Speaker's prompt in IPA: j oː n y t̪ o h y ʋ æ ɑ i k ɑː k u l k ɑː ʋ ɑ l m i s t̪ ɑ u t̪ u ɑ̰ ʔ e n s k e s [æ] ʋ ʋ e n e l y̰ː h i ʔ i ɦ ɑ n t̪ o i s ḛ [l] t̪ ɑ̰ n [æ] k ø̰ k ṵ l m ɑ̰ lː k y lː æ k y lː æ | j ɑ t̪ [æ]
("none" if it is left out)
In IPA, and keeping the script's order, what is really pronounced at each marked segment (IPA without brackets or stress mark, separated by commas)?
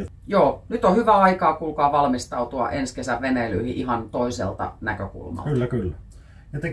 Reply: æ, l, æ, e